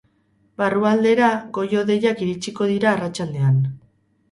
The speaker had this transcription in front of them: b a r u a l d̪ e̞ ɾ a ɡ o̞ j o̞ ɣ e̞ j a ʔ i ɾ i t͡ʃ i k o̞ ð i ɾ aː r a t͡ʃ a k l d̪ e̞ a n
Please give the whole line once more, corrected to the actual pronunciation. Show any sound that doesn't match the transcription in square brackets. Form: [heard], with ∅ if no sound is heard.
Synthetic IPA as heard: b a r u a l d̪ e̞ ɾ a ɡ o̞ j o̞ [ð] e̞ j a [k] i ɾ i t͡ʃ i k o̞ ð i ɾ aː r a t͡ʃ a [∅] l d̪ e̞ a n